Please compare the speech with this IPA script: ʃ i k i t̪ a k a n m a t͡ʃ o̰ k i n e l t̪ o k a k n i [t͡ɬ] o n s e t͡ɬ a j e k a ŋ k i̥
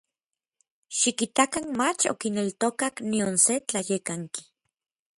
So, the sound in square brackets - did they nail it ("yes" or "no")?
no